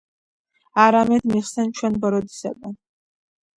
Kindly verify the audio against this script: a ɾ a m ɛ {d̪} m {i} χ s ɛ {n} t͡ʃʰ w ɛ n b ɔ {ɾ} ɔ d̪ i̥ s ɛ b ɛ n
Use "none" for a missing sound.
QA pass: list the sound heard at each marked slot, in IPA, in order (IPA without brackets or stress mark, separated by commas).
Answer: d̪, i, n, ɾ